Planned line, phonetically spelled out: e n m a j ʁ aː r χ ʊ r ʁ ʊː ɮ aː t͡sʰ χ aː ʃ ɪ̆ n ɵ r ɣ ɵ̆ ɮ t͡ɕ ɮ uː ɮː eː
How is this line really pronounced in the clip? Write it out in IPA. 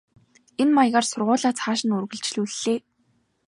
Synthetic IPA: e n m a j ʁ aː r s ʊ r ʁ ʊː ɮ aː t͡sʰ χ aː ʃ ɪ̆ n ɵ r ɣ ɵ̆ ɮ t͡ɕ ɮ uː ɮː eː